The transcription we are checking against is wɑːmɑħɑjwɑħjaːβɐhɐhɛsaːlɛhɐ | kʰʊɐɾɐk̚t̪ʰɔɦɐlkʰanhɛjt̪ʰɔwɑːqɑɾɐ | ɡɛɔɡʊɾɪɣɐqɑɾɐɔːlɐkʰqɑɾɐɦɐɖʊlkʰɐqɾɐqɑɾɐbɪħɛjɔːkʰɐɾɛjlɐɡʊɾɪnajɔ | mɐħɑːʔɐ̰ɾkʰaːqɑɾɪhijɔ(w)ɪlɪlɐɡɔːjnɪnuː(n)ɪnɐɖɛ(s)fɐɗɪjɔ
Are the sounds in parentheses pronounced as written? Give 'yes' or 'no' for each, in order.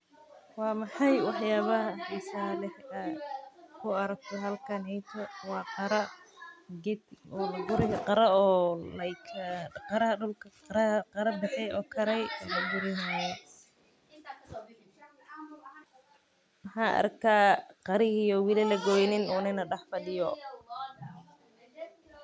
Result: yes, yes, no

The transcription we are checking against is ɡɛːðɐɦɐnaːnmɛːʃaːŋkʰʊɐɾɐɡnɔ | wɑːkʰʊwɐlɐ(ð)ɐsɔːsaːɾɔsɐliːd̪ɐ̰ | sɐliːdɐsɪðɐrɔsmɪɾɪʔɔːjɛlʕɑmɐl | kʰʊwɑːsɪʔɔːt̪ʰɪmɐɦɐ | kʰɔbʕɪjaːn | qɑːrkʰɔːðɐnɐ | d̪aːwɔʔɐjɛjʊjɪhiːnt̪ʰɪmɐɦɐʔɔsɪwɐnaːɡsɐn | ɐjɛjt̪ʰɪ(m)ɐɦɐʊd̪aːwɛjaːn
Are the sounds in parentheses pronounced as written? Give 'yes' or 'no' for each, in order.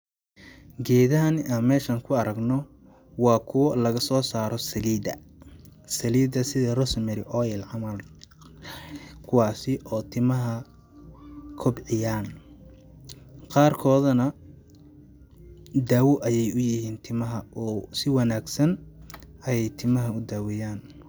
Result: no, yes

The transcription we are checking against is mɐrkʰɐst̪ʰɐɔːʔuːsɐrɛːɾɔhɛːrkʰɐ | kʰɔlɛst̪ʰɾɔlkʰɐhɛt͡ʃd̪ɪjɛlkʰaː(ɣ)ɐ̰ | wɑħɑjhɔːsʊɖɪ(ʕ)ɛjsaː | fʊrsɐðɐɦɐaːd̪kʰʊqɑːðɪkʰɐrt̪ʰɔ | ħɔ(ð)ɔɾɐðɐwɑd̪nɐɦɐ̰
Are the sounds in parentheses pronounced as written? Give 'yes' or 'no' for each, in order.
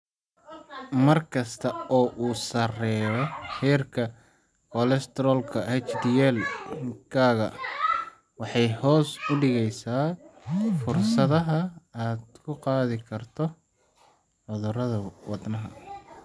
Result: yes, no, yes

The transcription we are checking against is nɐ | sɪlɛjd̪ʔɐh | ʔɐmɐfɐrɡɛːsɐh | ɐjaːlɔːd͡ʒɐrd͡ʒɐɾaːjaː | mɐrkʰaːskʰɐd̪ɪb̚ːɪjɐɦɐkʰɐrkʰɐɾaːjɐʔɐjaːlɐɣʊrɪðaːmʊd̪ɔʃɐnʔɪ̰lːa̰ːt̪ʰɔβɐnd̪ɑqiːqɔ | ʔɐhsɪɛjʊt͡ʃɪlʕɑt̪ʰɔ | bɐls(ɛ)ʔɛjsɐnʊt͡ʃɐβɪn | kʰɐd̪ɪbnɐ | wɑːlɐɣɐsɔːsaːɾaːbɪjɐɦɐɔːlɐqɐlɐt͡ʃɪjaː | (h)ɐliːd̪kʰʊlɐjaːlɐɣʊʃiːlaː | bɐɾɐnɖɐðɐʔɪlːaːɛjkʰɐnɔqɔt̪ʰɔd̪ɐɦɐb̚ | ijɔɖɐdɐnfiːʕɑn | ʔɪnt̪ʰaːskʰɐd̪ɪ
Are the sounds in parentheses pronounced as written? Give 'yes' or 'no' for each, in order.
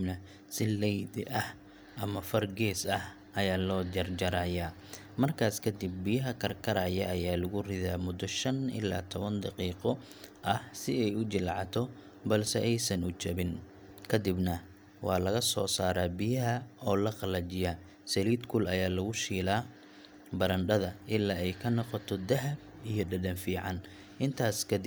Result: yes, no

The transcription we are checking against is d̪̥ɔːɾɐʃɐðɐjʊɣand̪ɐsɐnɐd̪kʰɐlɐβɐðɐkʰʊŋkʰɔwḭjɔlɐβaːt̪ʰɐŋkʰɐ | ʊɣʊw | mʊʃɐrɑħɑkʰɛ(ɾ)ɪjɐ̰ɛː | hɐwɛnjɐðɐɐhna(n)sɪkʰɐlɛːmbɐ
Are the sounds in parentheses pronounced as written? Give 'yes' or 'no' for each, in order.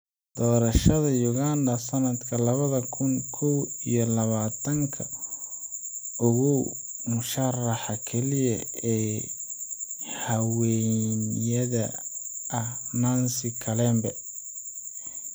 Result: no, yes

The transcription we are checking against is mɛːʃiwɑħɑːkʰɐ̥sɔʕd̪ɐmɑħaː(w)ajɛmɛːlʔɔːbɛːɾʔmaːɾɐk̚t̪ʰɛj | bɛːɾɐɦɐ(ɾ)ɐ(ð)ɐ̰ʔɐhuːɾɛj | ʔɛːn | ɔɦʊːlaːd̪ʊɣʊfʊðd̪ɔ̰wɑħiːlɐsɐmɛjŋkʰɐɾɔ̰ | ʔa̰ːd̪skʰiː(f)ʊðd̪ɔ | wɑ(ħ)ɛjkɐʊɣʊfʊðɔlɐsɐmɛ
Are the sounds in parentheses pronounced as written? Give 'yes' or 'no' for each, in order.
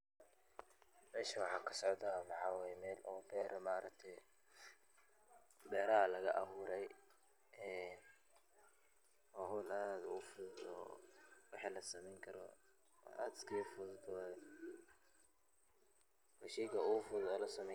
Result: yes, no, no, yes, no

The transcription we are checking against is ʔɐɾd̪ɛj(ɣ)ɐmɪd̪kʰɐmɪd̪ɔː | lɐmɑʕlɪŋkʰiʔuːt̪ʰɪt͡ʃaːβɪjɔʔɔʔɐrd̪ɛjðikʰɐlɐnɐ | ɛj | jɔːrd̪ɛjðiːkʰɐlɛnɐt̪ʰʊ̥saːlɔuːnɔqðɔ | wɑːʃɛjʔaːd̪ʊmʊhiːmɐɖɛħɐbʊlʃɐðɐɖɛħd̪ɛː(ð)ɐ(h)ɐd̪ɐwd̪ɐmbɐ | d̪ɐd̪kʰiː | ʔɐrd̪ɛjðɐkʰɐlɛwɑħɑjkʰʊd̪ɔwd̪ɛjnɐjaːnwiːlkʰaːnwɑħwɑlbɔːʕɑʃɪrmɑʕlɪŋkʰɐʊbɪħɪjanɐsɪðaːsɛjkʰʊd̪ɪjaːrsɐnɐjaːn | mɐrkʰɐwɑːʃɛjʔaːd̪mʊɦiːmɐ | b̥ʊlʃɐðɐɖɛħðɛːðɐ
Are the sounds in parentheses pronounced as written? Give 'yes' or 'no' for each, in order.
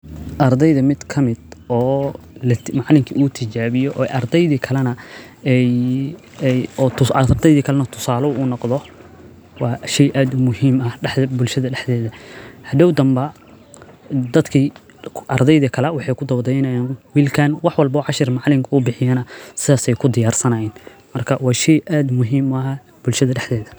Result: no, yes, yes

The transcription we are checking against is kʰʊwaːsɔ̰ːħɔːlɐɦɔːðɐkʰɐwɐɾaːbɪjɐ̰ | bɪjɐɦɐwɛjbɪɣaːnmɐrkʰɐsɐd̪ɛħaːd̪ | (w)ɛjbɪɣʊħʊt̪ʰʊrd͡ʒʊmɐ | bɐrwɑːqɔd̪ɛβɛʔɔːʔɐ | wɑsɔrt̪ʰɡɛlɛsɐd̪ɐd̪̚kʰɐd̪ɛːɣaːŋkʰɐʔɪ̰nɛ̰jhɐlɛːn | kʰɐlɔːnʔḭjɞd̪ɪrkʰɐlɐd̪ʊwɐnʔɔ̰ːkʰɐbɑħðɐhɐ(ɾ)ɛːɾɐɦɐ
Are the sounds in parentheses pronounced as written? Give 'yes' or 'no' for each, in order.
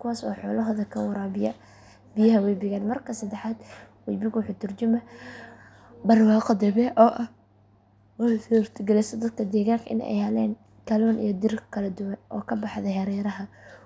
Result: yes, yes

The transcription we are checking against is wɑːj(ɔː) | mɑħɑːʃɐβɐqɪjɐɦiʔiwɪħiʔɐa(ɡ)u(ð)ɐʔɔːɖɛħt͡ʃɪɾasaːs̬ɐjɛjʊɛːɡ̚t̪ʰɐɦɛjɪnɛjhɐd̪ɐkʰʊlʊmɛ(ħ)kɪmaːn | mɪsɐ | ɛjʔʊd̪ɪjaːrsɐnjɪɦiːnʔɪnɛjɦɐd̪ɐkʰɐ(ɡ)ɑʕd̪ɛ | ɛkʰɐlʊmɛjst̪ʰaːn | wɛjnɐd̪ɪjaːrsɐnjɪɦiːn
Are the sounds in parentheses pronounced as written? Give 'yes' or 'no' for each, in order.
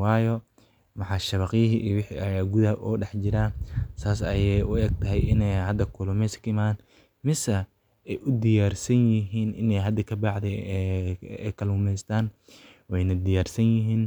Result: no, yes, yes, no, no

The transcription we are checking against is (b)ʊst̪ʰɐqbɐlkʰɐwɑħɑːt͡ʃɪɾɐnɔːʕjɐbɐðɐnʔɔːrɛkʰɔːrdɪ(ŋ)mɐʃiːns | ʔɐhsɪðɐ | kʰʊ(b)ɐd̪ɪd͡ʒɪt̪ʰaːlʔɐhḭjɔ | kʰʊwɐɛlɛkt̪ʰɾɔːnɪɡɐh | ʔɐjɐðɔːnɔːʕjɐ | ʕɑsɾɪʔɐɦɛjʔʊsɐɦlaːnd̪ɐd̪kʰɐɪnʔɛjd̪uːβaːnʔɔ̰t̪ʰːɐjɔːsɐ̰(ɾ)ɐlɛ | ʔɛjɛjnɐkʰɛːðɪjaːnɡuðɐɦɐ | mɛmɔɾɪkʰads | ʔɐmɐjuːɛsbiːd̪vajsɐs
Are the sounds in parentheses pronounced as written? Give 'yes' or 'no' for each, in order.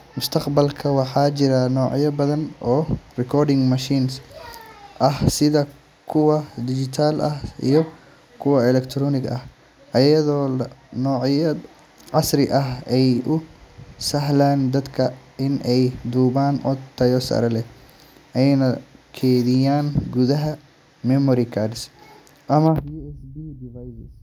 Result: no, yes, no, yes

